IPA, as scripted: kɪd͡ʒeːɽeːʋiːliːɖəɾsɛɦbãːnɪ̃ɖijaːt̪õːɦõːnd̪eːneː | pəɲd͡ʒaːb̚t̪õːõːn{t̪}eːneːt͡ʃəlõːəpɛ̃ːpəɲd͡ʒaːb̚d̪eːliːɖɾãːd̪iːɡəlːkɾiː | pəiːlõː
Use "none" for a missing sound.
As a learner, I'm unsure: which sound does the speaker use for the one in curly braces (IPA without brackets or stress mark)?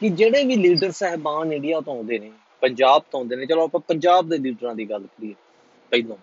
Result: d̪